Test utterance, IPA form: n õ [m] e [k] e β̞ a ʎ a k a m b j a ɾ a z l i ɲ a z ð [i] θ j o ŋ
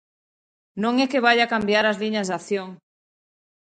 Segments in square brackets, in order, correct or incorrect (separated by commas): incorrect, correct, incorrect